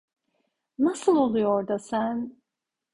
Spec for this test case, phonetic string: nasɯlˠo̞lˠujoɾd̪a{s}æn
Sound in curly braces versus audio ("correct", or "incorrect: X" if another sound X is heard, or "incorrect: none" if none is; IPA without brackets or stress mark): correct